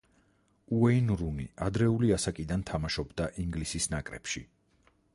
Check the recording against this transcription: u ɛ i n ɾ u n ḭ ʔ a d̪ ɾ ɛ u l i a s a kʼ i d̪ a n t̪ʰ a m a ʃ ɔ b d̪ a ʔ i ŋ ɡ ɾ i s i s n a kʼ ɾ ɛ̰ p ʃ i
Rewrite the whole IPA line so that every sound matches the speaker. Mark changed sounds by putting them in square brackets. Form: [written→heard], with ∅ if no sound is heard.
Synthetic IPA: u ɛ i n ɾ u n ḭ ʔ a d̪ ɾ ɛ u l i a s a kʼ i d̪ a n t̪ʰ a m a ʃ ɔ b d̪ a ʔ i ŋ ɡ [ɾ→l] i s i s n a kʼ ɾ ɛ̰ p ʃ i